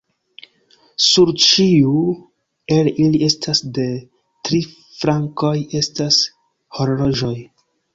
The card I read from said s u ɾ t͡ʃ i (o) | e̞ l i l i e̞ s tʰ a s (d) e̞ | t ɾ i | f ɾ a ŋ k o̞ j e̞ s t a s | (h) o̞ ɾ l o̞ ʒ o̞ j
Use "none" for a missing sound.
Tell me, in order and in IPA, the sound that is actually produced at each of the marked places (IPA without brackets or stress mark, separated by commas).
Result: u, d, h